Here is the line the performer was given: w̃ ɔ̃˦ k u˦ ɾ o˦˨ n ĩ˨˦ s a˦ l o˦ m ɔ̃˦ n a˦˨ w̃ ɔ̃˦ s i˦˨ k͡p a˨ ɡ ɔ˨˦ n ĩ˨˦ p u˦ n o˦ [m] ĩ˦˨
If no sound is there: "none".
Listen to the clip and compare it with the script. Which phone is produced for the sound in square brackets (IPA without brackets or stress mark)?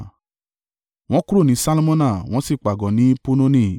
n